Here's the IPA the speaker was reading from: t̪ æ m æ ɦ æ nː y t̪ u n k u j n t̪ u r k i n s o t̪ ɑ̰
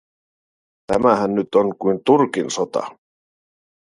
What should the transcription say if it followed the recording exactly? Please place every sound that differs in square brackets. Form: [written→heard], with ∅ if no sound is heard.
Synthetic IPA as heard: t̪ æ m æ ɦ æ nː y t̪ [u→o] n k u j n t̪ u r k i n s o t̪ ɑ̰